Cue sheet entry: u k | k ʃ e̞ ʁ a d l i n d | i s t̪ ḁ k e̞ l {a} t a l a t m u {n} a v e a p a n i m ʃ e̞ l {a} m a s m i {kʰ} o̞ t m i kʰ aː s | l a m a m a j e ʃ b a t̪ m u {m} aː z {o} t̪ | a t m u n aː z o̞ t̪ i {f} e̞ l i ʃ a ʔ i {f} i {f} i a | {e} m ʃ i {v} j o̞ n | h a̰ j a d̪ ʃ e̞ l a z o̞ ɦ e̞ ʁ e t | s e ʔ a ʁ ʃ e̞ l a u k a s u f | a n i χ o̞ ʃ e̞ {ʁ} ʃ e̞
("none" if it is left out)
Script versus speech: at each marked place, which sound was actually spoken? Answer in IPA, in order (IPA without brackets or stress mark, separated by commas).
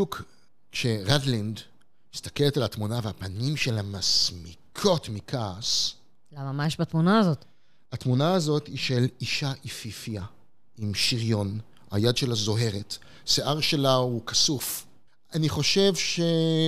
e, n, a, kʰ, n, o, ʃ, f, f, i, ʁ, v